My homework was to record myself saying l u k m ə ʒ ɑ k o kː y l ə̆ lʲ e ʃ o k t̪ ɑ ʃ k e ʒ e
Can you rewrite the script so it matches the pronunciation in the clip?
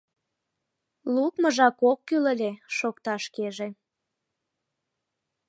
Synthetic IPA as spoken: l u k m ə ʒ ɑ k o kː y l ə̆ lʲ e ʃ o k t̪ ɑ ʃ k e ʒ e